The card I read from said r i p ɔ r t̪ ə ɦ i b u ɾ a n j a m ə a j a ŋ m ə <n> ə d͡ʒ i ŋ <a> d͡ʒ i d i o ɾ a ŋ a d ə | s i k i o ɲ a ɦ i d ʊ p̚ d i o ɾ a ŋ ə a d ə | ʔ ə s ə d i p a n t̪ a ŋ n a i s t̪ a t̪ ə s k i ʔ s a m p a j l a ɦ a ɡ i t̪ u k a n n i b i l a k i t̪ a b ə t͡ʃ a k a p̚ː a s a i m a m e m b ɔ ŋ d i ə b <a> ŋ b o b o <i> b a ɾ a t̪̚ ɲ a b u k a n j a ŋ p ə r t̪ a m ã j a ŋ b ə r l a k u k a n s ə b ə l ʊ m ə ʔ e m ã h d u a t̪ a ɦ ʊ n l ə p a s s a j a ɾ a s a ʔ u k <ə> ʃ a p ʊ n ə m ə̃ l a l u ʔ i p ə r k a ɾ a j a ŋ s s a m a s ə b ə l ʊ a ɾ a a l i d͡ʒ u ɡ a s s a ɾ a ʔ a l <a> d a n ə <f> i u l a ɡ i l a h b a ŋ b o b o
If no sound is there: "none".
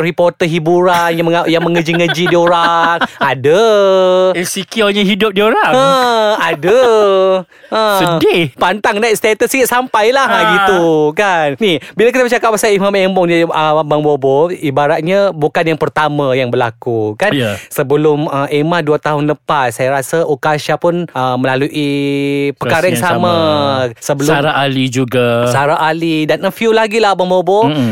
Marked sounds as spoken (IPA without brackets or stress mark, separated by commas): ŋ, ə, a, i, a, i, f